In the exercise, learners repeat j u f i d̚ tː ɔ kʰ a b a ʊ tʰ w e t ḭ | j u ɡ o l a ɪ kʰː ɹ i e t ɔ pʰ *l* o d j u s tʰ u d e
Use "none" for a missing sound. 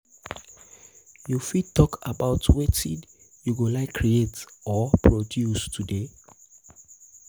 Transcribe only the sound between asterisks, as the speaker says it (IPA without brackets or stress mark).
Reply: ɹ